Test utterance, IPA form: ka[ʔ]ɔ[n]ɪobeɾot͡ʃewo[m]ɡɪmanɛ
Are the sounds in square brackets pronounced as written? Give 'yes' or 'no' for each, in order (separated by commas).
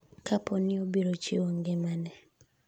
no, yes, no